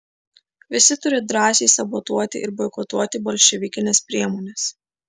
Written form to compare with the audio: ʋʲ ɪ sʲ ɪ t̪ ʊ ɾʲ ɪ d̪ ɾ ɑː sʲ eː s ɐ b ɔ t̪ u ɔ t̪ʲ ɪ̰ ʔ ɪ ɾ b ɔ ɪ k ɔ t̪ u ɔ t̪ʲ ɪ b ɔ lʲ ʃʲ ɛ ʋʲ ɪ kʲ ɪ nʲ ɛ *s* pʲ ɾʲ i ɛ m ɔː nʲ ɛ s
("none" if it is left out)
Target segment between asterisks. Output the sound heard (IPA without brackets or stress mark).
s